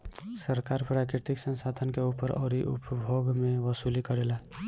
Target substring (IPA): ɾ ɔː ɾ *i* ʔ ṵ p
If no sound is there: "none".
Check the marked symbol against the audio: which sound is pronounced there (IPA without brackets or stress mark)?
i